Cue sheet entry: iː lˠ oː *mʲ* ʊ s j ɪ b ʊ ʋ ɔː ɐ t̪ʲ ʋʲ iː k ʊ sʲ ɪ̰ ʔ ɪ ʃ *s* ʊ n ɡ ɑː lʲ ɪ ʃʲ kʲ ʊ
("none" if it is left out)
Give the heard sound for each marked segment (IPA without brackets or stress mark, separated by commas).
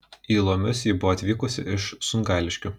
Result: mʲ, s